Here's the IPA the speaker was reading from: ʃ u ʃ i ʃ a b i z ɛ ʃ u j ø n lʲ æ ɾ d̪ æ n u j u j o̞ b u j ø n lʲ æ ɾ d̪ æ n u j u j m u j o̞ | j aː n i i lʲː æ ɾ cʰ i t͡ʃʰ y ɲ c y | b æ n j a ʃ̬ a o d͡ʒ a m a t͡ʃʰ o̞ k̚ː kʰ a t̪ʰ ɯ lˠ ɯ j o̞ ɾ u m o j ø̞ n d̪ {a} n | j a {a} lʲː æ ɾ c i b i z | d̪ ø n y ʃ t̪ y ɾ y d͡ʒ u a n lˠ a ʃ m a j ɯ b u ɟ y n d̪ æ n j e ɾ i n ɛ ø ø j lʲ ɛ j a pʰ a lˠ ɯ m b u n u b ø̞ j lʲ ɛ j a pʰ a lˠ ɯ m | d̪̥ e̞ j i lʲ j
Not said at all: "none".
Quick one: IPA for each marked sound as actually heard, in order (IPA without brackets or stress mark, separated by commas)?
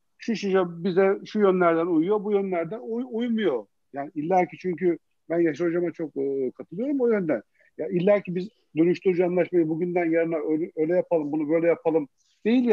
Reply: æ, i